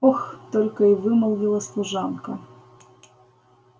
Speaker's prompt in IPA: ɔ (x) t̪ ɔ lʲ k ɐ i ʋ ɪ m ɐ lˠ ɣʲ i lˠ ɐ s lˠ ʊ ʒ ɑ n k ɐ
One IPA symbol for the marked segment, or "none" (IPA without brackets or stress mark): x